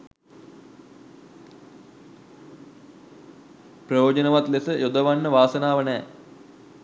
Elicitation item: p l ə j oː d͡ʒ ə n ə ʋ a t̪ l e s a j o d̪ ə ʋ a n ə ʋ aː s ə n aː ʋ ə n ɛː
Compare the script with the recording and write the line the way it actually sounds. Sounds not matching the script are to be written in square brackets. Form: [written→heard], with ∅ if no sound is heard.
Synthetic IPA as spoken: p [l→r] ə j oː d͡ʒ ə n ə ʋ a t̪ l e s [a→ə] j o d̪ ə ʋ a [n→nː] ə ʋ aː s ə n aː ʋ ə n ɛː